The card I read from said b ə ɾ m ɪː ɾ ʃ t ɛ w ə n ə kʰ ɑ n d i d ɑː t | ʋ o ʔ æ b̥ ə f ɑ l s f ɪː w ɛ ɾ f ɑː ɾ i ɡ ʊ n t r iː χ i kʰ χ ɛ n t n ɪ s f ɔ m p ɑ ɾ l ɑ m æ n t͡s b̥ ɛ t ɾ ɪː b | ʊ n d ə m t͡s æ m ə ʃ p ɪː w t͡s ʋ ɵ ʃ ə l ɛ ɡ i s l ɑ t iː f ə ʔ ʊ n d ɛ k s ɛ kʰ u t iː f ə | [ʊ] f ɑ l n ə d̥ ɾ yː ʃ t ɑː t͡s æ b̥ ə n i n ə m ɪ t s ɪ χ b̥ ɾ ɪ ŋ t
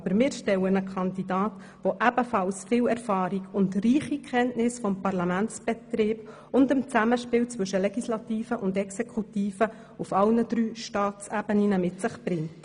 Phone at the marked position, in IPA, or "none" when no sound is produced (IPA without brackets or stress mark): u